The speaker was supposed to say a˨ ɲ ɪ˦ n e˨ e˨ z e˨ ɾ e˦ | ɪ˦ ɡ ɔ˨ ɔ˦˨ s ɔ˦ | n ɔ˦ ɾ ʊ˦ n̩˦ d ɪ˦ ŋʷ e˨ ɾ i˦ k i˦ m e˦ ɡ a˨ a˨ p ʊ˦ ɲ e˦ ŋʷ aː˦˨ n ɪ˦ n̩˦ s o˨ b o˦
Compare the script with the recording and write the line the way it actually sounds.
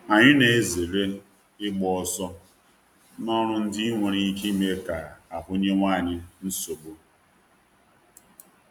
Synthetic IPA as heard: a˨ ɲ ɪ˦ n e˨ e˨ z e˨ ɾ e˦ | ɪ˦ ɡ͡b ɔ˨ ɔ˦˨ s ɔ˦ | n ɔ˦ ɾ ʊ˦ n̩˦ d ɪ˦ ŋʷ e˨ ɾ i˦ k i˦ m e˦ k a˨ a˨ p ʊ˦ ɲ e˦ ŋʷ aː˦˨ ɲ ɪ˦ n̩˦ s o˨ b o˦